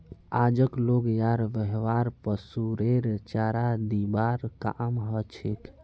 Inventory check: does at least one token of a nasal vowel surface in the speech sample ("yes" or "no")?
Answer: no